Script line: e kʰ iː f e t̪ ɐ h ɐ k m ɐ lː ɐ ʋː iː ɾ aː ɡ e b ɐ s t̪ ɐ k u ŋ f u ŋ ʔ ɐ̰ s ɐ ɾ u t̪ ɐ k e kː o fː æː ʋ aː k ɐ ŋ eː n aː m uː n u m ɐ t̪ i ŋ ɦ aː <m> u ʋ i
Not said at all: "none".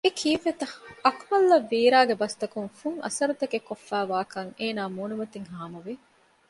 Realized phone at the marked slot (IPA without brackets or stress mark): m